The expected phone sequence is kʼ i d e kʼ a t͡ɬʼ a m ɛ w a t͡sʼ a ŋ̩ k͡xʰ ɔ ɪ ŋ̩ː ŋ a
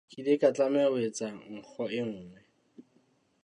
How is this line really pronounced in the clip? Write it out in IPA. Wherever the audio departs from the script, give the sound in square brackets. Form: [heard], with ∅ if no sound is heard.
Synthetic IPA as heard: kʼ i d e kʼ a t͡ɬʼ a m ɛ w [e] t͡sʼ a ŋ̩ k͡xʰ ɔ ɪ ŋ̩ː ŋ [ɛ]